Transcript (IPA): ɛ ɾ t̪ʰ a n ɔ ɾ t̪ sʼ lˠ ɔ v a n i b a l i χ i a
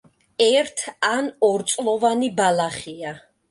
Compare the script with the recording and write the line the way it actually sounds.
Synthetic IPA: ɛ ɾ t̪ʰ a n ɔ ɾ t̪ sʼ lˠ ɔ v a n i b a l a χ i a